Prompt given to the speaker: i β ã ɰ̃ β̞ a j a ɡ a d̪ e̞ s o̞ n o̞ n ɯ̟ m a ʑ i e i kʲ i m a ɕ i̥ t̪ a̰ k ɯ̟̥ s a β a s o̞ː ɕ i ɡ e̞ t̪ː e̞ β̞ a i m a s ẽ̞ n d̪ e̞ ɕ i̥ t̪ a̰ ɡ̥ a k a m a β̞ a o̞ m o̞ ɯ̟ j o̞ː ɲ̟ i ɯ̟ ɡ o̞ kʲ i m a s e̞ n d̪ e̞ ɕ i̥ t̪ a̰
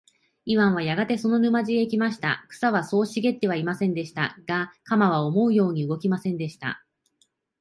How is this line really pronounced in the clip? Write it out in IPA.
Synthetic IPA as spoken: i β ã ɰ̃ β̞ a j a ɡ a t̪ e̞ s o̞ n o̞ n ɯ̟ m a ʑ i e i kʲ i m a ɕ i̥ t̪ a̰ k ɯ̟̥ s a β a s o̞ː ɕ i ɡ e̞ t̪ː e̞ β̞ a i m a s ẽ̞ n d̪ e̞ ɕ i̥ t̪ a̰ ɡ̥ a k a m a β̞ a o̞ m o̞ ɯ̟ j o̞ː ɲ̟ i ɯ̟ ɡ o̞ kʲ i m a s ẽ̞ n d̪ e̞ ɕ i̥ t̪ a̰

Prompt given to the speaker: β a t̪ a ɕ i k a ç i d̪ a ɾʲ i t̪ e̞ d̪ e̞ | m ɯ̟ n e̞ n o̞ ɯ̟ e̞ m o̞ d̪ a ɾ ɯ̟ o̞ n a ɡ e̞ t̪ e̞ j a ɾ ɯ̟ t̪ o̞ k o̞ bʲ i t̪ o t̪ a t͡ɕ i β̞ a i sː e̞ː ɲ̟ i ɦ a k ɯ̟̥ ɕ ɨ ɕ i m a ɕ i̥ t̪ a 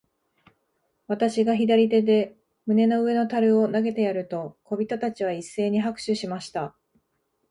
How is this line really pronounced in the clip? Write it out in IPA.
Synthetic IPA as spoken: β a t̪ a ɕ i ɡ a ç i d̪ a ɾʲ i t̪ e̞ d̪ e̞ | m ɯ̟ n e̞ n o̞ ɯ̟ e̞ n o̞ t̪ a ɾ ɯ̟ o̞ n a ɡ e̞ t̪ e̞ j a ɾ ɯ̟ t̪ o̞ k o̞ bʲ i t̪ o t̪ a t͡ɕ i β̞ a i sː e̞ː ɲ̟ i ɦ a k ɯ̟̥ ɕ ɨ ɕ i m a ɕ i̥ t̪ a

